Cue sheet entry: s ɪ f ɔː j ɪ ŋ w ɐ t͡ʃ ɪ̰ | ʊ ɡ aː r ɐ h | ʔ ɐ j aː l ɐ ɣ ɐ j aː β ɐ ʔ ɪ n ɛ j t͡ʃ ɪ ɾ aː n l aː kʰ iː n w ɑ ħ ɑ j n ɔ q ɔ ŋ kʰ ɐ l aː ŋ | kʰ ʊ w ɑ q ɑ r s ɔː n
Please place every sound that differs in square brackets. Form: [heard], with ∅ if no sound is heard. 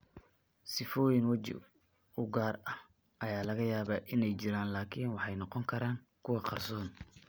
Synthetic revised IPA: s ɪ f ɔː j ɪ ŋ w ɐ t͡ʃ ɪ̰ | ʊ ɡ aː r ɐ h | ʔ ɐ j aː l ɐ ɣ ɐ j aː β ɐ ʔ ɪ n ɛ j t͡ʃ ɪ ɾ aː n l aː kʰ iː n w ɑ ħ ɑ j n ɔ q ɔ ŋ kʰ ɐ [ɾ] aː ŋ | kʰ ʊ w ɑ q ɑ r s ɔː n